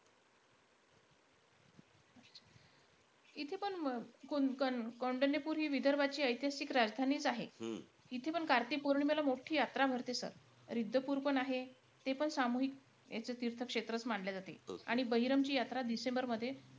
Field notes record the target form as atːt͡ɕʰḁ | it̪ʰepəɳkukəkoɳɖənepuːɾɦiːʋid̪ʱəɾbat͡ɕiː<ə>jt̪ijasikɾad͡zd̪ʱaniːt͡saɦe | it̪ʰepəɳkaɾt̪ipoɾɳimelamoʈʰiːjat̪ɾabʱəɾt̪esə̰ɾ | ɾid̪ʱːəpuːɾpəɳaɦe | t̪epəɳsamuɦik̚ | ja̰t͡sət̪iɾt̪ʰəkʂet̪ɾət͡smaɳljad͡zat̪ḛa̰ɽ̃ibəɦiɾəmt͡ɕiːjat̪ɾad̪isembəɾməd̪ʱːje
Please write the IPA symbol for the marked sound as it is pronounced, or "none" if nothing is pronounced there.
ə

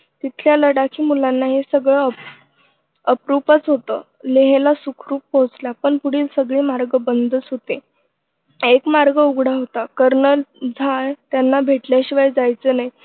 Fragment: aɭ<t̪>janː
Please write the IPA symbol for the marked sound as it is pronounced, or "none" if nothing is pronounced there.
t̪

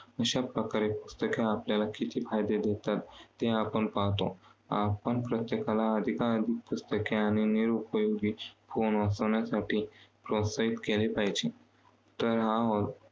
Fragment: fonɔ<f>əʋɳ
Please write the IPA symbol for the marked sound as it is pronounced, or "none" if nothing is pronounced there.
s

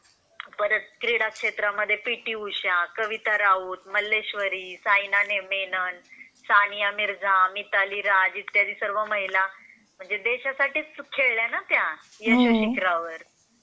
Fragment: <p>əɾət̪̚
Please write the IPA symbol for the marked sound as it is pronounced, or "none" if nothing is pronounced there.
p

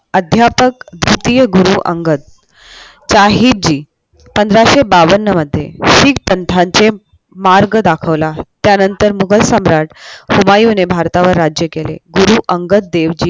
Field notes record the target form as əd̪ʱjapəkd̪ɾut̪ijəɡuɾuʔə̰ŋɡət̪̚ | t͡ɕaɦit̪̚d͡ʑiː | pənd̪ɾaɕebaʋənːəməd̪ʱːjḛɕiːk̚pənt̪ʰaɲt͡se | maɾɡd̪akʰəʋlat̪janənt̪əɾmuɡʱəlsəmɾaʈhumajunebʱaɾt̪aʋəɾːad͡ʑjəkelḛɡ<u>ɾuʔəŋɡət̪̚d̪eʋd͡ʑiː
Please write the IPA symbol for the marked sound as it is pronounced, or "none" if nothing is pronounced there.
u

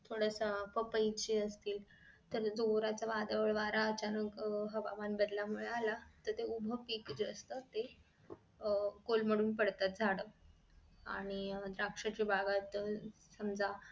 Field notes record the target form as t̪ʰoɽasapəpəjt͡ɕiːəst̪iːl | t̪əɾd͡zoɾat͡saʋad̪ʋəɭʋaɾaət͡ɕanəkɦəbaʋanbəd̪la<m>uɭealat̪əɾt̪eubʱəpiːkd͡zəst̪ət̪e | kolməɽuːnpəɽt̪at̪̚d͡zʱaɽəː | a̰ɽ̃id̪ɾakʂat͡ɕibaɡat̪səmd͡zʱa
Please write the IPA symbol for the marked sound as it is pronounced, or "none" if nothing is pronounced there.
m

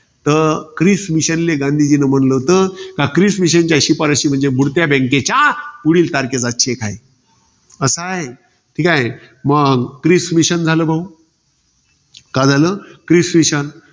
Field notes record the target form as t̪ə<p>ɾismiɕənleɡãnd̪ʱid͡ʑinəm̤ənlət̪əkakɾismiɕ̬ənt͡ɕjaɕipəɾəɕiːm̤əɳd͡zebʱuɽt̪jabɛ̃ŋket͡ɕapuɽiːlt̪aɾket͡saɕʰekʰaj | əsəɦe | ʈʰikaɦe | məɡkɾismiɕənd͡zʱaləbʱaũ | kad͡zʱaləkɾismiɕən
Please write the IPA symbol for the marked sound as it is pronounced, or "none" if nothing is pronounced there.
k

